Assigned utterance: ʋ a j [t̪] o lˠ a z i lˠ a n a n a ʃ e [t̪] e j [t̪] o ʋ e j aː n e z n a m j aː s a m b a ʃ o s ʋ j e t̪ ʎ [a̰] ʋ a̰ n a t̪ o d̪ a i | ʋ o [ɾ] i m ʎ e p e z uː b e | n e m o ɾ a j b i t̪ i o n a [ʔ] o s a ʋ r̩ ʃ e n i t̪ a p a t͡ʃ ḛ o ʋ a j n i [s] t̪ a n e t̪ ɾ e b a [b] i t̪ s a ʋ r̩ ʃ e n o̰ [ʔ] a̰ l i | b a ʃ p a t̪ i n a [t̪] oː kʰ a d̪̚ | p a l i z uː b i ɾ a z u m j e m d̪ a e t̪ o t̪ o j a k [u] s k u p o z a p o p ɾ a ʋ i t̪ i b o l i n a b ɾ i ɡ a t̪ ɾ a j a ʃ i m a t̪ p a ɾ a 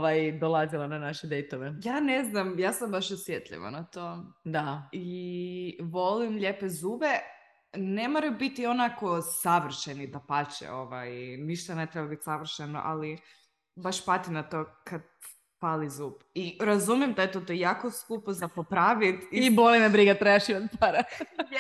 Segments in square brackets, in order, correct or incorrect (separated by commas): incorrect, incorrect, correct, incorrect, incorrect, incorrect, incorrect, correct, correct, correct, incorrect